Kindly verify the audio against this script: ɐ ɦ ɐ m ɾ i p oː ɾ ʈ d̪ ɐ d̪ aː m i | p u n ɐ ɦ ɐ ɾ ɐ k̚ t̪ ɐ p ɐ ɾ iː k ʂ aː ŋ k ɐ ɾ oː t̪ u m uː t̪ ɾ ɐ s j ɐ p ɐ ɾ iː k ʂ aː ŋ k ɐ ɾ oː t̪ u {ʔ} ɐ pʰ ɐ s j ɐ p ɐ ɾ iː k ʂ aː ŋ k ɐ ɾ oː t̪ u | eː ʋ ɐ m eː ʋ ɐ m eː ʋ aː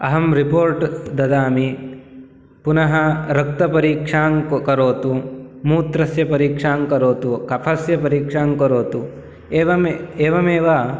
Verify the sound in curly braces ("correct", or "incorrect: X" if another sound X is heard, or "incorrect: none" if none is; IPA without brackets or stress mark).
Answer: incorrect: k